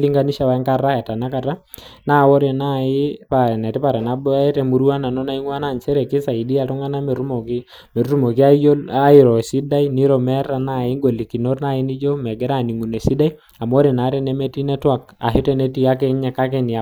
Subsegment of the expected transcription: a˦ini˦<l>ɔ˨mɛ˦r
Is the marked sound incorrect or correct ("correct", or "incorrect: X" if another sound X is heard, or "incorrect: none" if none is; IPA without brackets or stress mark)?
incorrect: ɾ